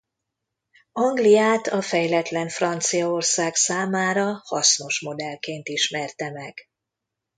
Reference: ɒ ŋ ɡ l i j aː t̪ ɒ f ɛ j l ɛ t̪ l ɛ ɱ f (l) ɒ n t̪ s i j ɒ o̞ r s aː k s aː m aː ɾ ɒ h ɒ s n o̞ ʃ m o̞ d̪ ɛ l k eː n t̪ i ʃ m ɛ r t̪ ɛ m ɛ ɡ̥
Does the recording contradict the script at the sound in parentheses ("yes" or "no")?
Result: yes